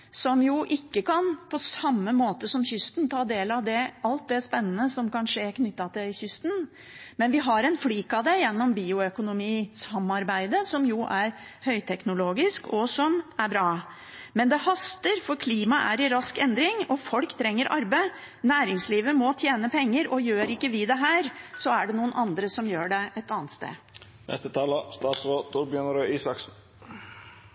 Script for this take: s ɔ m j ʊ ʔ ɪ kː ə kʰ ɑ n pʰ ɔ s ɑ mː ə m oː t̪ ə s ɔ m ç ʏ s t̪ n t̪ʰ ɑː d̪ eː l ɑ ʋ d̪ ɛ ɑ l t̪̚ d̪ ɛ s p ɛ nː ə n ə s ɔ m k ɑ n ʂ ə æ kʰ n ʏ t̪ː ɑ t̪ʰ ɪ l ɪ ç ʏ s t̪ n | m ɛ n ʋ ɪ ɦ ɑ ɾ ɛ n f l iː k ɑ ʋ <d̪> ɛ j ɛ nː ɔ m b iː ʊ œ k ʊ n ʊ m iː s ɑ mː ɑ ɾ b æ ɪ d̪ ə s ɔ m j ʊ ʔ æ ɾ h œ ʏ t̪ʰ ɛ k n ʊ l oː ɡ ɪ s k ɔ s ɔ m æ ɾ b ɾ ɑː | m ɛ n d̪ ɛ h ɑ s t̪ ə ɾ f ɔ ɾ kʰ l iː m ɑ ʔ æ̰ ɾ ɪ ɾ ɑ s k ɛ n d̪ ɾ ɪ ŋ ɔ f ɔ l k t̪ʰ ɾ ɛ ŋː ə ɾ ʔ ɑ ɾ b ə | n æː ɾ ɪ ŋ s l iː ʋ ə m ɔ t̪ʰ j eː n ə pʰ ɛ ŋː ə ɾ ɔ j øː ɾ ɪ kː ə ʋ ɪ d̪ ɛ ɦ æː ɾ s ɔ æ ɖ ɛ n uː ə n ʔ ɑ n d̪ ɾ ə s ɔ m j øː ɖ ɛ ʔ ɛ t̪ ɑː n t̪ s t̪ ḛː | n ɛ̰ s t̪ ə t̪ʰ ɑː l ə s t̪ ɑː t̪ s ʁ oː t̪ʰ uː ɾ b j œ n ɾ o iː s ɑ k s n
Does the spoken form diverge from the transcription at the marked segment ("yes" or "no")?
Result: no